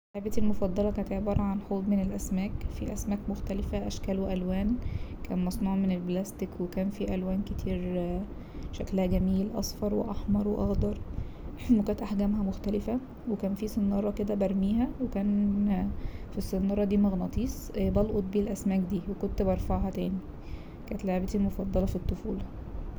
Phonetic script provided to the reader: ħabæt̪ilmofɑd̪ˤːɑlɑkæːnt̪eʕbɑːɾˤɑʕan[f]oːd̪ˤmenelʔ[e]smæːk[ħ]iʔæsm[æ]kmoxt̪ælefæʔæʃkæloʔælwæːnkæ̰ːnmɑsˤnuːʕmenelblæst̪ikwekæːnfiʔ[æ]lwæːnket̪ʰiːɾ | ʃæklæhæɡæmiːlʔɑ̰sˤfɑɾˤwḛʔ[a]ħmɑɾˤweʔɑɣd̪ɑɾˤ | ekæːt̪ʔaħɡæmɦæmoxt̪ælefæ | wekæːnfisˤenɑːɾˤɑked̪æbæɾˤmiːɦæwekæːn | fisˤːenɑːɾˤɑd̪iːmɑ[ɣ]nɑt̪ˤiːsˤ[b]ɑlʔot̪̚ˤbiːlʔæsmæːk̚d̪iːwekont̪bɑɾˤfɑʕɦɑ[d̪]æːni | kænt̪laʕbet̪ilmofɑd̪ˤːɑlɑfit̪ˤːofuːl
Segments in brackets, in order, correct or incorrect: incorrect, incorrect, incorrect, incorrect, correct, incorrect, correct, correct, incorrect

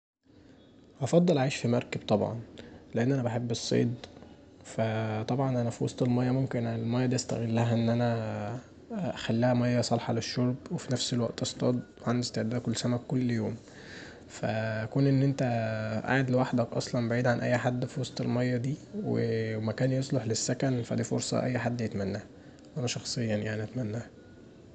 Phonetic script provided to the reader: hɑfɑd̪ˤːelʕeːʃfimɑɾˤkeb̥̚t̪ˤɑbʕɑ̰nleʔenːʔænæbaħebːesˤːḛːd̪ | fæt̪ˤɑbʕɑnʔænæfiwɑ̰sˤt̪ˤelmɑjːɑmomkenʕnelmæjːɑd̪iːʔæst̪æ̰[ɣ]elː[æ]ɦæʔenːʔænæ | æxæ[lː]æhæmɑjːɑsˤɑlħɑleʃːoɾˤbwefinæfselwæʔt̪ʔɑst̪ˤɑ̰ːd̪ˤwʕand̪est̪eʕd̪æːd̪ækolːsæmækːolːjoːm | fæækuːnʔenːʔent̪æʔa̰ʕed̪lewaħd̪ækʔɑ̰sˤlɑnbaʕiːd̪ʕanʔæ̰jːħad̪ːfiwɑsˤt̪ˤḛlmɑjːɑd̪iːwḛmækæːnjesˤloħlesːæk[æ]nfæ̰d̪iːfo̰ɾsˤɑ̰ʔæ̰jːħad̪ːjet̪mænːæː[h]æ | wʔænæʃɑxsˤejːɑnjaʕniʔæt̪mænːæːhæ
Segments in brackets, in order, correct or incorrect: correct, correct, correct, correct, correct

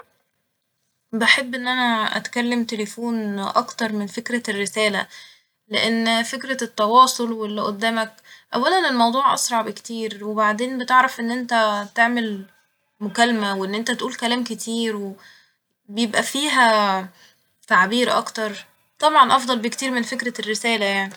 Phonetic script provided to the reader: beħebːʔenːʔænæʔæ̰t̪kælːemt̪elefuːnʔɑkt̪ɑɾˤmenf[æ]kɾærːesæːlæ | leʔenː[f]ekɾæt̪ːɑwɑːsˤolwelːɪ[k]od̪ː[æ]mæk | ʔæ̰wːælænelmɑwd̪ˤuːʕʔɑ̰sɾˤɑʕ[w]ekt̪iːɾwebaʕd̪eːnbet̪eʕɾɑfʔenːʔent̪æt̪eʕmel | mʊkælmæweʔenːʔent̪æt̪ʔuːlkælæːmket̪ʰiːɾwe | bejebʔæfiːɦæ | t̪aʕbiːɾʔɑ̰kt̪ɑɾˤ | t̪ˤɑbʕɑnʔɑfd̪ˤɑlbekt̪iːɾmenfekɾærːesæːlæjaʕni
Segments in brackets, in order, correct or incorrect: incorrect, correct, incorrect, incorrect, incorrect

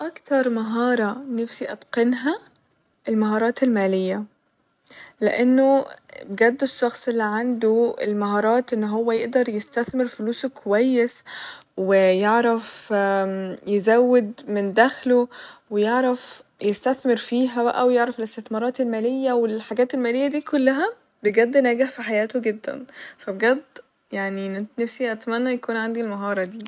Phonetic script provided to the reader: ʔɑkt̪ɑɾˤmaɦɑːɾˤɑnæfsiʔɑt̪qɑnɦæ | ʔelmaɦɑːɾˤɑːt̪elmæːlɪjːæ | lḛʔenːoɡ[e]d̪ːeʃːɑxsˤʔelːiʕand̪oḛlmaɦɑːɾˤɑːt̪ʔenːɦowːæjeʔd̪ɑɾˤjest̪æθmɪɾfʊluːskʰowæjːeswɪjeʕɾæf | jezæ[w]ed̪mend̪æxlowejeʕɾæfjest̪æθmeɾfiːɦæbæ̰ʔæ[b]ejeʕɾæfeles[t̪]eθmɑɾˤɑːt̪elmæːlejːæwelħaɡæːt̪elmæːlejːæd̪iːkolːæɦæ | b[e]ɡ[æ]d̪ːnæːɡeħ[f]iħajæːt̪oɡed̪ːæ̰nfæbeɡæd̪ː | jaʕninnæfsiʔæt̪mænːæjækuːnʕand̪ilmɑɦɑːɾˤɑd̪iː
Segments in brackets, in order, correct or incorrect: incorrect, incorrect, incorrect, correct, correct, correct, correct

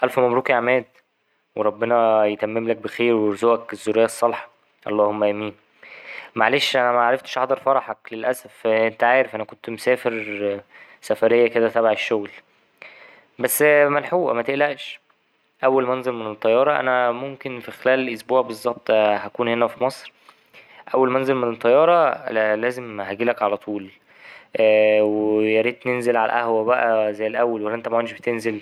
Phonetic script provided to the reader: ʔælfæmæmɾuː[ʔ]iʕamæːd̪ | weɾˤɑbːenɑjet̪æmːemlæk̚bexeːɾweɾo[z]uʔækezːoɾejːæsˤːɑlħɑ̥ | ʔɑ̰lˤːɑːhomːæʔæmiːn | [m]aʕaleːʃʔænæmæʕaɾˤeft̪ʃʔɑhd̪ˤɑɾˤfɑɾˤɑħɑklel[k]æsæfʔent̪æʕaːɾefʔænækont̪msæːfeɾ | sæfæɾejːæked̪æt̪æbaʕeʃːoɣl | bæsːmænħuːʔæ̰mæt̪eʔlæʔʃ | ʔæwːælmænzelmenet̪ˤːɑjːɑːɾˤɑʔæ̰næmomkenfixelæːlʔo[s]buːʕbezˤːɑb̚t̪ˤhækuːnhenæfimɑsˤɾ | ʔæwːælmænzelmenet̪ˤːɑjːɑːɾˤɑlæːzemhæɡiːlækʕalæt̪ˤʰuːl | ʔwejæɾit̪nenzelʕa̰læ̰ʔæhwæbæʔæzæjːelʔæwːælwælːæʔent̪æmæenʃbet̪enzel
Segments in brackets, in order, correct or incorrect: incorrect, correct, correct, incorrect, correct

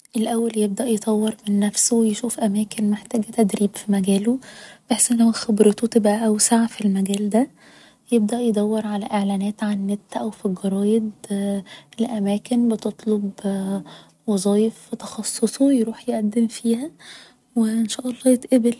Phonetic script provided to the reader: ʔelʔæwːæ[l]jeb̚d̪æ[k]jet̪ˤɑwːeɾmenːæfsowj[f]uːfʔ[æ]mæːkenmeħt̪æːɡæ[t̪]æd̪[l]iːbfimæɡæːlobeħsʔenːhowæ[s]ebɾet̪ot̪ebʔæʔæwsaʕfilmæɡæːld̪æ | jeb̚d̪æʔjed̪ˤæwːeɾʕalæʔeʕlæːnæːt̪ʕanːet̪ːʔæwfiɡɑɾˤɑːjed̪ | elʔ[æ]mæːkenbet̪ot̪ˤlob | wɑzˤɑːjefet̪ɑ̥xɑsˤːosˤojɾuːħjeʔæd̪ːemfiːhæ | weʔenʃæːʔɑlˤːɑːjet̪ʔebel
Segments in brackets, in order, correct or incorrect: correct, incorrect, incorrect, correct, correct, incorrect, incorrect, correct

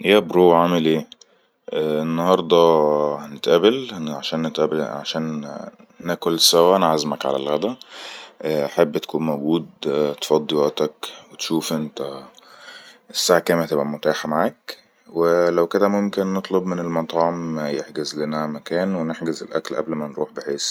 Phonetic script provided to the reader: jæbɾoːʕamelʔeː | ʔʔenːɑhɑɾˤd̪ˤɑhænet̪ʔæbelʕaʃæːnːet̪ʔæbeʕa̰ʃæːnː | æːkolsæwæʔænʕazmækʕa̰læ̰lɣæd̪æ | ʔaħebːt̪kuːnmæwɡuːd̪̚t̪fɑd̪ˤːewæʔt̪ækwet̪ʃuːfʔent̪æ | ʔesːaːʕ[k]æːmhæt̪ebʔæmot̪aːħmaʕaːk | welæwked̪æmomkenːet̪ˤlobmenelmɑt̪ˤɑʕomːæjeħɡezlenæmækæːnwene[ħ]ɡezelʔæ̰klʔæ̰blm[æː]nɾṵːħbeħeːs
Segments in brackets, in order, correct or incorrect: correct, correct, incorrect

